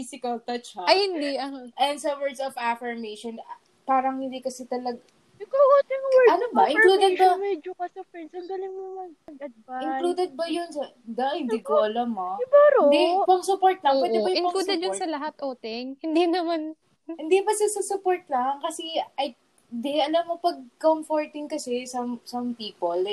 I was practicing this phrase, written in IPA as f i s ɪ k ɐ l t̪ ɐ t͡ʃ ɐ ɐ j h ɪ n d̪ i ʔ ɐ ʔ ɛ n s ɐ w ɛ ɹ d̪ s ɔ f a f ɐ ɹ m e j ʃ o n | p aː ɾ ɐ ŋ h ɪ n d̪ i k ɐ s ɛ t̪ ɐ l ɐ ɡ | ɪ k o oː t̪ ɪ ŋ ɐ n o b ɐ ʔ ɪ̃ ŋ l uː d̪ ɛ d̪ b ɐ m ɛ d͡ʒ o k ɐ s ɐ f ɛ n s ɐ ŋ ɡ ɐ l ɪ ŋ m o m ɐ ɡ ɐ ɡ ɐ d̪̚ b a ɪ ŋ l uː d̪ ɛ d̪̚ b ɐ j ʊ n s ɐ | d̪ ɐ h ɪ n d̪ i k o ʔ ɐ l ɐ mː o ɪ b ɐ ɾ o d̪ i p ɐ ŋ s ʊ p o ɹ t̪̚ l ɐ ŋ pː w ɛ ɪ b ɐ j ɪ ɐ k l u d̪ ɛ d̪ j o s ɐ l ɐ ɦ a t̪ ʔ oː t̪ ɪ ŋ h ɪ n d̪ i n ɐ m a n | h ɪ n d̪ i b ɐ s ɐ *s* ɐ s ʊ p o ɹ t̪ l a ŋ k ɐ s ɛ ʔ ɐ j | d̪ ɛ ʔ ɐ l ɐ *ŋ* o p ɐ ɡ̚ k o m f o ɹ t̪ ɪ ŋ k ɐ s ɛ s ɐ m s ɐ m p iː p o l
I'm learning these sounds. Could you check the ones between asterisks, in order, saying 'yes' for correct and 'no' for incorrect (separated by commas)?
yes, no